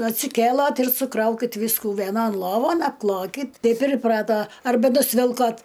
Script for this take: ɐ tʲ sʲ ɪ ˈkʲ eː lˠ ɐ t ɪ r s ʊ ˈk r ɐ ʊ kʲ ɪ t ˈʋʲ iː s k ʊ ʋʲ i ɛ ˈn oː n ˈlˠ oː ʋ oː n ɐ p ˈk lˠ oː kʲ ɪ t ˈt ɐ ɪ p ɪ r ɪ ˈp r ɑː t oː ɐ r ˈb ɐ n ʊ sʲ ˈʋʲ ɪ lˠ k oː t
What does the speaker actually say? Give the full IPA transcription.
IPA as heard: ɐ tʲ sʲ ɪ ˈkʲ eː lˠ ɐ t ɪ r s ʊ ˈk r ɐ ʊ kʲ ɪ t ˈʋʲ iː s k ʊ ʋʲ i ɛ ˈn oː n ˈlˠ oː ʋ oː n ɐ p ˈk lˠ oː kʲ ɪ t ˈt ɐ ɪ p ɪ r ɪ ˈp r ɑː t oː ɐ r ˈb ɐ n ʊ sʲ ˈʋʲ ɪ lˠ k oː t